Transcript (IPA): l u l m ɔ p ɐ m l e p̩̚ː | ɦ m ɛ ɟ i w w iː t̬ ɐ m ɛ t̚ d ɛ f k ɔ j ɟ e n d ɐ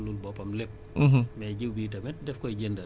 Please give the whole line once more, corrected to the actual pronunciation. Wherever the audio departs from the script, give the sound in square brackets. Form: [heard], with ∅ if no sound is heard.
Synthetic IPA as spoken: l u l [b] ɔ p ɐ m l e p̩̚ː | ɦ m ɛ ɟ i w [b] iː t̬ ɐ m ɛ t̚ d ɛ f k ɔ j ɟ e n d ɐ